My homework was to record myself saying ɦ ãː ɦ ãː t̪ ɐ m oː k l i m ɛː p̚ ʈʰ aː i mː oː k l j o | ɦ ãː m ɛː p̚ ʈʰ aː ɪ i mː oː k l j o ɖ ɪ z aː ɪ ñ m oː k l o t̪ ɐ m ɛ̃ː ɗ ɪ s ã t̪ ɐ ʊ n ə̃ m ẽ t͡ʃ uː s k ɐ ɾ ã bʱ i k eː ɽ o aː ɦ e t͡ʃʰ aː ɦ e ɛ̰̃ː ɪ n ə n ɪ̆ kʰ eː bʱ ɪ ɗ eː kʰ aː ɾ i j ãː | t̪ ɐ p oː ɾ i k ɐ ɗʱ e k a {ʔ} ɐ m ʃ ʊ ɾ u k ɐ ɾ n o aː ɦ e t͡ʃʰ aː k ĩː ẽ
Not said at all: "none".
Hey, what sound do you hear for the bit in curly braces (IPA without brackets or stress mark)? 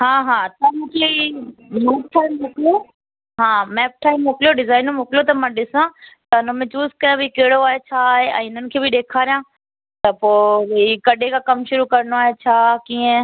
k